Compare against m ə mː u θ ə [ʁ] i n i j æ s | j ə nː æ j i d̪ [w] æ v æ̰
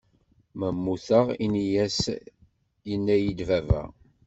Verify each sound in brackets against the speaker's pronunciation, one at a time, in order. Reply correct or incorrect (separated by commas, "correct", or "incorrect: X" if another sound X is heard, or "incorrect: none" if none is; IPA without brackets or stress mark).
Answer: correct, incorrect: v